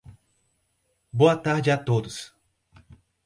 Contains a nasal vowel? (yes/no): no